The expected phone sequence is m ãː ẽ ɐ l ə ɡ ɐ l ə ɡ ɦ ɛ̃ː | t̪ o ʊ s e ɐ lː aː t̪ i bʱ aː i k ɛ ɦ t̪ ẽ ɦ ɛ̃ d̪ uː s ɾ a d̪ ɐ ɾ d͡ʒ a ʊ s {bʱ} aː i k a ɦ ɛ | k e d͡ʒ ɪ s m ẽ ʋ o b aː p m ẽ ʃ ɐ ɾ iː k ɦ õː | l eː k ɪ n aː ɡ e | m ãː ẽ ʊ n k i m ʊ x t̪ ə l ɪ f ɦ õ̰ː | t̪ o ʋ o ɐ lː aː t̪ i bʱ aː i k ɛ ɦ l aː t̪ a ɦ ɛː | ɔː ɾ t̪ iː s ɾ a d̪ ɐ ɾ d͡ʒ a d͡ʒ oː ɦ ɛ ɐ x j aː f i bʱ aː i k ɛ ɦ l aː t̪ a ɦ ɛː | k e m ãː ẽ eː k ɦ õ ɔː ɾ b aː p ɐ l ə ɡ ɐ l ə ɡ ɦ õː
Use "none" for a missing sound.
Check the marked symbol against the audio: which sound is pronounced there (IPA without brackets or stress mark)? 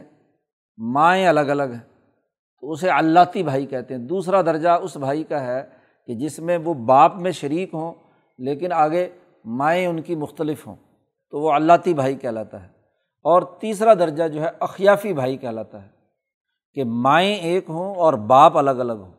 bʱ